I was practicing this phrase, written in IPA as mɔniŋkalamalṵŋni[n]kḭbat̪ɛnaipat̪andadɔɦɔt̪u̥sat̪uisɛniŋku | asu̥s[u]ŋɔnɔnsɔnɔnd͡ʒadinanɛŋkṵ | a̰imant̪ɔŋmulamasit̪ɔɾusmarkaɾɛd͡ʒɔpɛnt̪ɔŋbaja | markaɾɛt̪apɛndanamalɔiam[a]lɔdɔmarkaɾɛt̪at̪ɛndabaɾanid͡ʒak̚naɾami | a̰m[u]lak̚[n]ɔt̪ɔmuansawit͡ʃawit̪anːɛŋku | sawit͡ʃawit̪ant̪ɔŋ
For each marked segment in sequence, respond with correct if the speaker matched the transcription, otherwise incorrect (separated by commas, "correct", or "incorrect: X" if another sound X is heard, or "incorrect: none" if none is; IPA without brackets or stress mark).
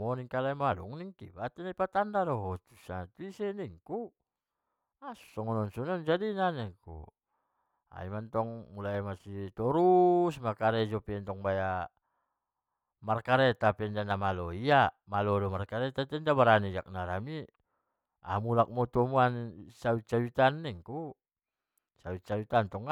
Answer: incorrect: ŋ, incorrect: ɔ, correct, correct, incorrect: m